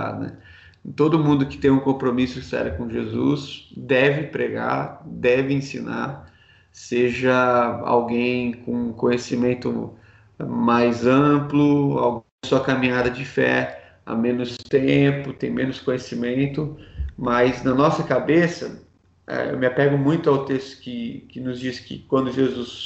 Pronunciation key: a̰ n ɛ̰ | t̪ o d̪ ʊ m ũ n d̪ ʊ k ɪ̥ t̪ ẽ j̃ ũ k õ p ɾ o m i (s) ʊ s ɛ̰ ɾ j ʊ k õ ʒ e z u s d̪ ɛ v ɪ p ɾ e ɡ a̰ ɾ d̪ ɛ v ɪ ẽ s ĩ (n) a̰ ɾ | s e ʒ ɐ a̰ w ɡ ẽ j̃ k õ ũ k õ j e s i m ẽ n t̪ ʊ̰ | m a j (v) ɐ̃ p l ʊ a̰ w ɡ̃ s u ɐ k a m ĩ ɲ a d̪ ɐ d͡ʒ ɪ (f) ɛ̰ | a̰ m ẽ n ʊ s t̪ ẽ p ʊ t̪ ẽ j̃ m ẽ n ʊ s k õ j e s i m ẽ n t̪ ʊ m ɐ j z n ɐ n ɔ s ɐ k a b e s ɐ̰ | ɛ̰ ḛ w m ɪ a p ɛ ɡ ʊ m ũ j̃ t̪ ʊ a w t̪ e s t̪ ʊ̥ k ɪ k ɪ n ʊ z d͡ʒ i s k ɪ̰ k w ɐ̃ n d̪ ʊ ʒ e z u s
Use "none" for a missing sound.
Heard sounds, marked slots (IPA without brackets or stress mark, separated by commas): s, n, z, f